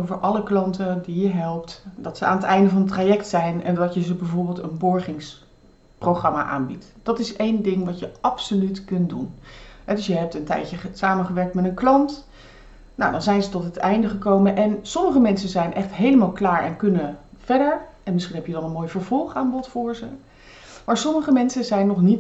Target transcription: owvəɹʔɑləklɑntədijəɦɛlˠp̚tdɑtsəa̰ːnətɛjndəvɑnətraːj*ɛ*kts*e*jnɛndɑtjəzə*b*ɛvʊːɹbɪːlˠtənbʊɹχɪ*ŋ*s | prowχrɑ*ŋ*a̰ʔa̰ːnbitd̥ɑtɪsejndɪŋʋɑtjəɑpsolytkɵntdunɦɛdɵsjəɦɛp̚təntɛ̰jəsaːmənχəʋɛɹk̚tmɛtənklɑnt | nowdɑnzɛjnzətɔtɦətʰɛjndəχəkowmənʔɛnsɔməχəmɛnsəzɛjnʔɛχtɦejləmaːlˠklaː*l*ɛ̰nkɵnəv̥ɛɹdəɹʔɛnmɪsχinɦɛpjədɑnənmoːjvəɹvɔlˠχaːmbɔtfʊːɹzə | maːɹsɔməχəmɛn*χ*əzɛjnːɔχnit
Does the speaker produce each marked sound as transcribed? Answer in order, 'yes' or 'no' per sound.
yes, no, yes, yes, no, no, no

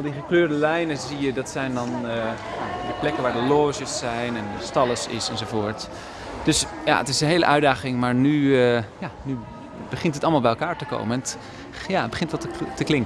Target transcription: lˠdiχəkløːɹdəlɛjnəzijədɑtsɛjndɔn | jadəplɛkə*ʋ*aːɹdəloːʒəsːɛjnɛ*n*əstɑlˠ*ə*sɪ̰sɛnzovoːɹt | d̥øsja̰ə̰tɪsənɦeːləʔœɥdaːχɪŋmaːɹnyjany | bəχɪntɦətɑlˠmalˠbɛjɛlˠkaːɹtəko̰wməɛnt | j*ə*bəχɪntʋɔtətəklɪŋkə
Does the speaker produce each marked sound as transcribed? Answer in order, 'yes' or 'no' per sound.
yes, yes, yes, no

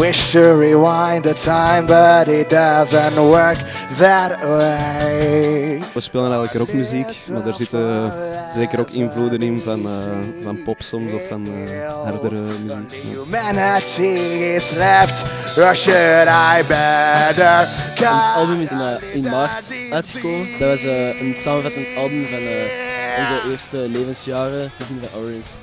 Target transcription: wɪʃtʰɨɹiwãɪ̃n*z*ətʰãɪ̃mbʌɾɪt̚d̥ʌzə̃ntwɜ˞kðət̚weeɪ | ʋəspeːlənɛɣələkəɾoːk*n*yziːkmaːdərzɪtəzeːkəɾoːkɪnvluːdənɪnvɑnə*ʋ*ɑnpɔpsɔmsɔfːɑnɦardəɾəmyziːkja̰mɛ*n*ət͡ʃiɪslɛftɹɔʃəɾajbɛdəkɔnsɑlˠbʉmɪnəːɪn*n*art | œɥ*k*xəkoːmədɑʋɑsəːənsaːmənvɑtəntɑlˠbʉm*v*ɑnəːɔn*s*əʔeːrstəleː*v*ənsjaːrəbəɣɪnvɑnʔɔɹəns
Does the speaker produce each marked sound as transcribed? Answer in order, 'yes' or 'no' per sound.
no, no, no, yes, no, no, yes, no, yes

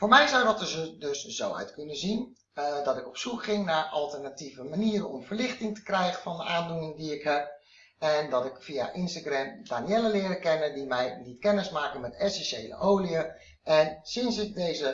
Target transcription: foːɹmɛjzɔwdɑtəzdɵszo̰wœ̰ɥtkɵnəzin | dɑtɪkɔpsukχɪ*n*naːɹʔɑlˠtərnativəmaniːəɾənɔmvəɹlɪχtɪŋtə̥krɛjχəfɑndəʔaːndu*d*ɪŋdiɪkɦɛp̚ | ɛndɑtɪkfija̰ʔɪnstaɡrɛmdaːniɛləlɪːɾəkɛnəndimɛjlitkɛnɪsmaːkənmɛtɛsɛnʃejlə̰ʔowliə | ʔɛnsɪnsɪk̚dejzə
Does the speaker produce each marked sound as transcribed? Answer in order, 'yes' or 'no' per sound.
no, no

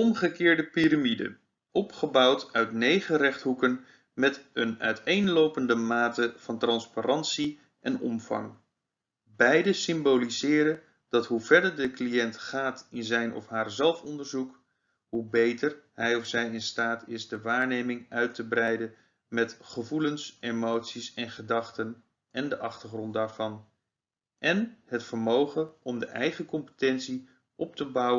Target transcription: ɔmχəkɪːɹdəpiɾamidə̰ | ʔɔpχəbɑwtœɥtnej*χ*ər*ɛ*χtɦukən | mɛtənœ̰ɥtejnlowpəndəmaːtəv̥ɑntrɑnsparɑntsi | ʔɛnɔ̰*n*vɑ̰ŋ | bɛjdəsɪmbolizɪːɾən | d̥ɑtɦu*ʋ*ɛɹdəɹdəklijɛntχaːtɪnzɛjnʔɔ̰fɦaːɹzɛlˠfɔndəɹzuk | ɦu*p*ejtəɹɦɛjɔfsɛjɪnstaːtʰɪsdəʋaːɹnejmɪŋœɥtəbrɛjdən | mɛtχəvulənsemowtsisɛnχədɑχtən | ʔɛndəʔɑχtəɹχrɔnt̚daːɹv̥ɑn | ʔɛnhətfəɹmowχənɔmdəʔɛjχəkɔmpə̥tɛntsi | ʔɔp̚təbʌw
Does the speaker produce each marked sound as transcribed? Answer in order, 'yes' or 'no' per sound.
yes, yes, no, no, no

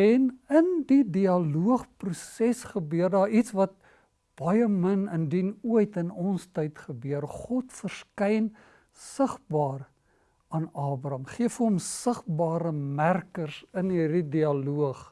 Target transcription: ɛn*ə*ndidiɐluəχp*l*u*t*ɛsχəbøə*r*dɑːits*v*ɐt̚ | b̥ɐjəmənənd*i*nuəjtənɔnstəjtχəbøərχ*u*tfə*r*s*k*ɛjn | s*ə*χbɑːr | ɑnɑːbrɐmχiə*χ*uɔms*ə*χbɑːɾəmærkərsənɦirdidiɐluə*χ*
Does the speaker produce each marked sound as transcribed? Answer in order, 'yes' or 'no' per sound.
yes, no, no, yes, yes, yes, no, yes, yes, yes, no, yes, yes

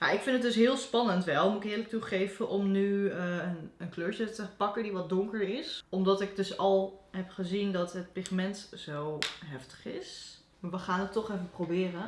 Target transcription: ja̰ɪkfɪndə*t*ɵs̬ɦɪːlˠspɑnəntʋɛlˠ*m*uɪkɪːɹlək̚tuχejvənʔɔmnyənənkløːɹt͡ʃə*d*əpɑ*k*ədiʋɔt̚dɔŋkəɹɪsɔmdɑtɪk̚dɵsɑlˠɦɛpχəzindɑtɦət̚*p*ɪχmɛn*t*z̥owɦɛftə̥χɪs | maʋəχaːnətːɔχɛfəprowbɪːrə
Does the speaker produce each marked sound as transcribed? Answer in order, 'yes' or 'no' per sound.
no, yes, no, yes, yes, yes

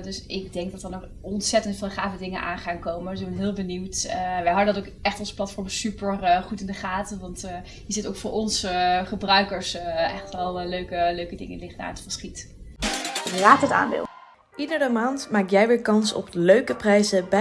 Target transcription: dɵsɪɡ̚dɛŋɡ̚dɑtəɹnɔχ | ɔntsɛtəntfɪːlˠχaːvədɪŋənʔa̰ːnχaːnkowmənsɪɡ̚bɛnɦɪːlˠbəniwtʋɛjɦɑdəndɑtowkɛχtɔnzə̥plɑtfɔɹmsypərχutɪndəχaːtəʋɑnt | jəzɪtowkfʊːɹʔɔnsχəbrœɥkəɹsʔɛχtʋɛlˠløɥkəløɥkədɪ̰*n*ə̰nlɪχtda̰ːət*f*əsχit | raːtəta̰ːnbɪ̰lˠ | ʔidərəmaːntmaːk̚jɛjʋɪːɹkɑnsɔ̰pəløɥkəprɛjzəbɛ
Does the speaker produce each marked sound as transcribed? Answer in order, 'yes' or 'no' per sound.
no, yes

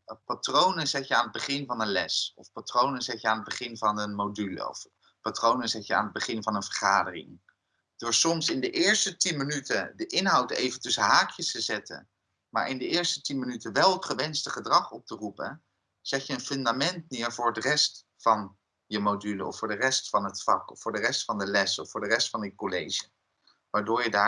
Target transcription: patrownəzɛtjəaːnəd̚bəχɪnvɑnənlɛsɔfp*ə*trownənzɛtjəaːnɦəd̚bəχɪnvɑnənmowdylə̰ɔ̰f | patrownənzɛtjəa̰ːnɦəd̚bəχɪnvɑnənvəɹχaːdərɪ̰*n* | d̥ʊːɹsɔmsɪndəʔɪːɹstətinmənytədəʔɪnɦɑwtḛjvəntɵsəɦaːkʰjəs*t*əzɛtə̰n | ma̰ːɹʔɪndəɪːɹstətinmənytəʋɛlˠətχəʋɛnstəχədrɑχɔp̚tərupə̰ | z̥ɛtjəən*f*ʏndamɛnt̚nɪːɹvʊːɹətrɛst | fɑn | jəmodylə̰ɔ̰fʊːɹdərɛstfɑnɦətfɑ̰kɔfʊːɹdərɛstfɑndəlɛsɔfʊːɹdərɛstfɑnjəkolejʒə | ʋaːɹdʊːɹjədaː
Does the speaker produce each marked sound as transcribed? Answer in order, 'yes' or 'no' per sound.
no, no, yes, yes

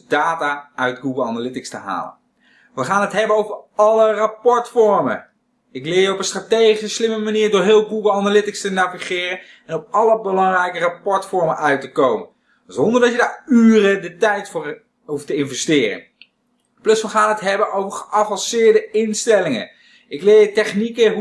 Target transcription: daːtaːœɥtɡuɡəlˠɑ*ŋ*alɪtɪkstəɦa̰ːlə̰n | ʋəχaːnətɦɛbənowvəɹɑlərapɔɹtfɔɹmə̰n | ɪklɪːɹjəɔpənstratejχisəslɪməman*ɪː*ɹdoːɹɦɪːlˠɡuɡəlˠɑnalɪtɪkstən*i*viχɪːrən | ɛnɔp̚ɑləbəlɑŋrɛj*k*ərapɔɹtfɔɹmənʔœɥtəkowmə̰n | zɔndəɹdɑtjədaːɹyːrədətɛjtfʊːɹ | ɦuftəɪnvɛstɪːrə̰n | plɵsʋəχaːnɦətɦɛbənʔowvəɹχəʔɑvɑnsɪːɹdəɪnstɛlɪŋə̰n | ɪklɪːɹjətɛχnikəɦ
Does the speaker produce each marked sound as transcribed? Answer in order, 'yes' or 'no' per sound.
no, no, no, yes

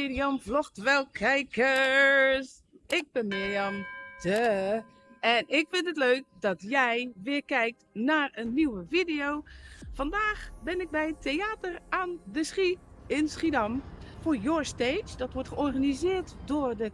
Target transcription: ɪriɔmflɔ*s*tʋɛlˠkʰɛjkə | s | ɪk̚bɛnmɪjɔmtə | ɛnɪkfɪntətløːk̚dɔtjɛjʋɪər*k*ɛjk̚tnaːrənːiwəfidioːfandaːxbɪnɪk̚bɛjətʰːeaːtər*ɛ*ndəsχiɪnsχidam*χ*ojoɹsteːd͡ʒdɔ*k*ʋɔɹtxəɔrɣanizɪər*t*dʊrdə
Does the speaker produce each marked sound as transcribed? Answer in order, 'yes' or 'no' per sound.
no, yes, no, no, no, yes

